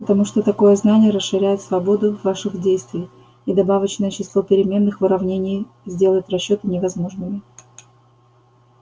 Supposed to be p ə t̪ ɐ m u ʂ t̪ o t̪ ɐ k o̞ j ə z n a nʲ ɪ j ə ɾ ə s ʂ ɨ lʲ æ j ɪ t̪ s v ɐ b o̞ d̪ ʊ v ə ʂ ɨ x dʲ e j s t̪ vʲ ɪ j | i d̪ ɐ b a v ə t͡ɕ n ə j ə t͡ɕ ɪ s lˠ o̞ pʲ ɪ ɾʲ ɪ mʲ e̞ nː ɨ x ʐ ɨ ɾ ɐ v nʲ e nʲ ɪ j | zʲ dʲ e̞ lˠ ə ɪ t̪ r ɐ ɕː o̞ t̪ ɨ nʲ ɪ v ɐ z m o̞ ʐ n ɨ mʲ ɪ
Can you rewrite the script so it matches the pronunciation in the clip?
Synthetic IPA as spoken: p ə t̪ ɐ m u ʂ t̪ o t̪ ɐ k o̞ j ə z n a nʲ ɪ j ə ɾ ə s ʂ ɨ ɾʲ æ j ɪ t̪ s v ɐ b o̞ d̪ ʊ v a ʂ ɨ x dʲ e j s t̪ vʲ ɪ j | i d̪ ɐ b a v ə t͡ɕ n ə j ə t͡ɕ ɪ s lˠ o̞ pʲ ɪ ɾʲ ɪ mʲ e̞ nː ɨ x v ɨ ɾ ɐ v nʲ e nʲ ɪ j | zʲ dʲ e̞ lˠ ə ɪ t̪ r ɐ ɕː o̞ t̪ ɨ nʲ ɪ v ɐ z m o̞ ʐ n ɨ mʲ ɪ